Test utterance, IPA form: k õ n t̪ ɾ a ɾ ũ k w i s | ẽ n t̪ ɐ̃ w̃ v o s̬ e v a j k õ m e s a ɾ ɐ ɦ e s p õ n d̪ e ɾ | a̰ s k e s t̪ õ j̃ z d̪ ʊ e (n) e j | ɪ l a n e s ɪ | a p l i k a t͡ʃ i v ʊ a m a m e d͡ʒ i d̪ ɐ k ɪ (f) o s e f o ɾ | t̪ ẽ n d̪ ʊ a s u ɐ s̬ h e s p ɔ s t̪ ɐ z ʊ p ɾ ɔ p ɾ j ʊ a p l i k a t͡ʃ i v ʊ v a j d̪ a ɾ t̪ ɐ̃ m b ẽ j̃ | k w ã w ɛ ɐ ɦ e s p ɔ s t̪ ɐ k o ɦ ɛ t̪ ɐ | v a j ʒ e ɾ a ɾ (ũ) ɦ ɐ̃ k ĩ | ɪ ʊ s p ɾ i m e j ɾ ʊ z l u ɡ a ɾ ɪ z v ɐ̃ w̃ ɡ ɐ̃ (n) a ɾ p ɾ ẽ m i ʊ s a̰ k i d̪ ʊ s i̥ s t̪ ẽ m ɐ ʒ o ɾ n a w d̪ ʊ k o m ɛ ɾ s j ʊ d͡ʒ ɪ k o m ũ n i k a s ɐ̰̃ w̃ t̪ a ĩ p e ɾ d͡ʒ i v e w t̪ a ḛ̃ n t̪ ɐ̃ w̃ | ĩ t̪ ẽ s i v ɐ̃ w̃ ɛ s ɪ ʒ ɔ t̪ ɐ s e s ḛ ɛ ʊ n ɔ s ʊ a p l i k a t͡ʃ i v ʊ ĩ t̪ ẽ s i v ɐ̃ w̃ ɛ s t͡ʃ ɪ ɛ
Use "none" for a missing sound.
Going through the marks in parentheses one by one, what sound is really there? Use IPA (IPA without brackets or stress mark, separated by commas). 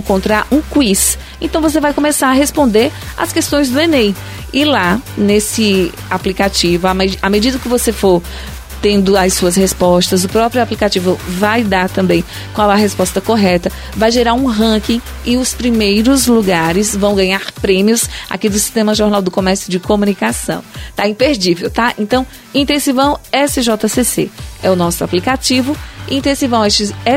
n, v, ũ, ɲ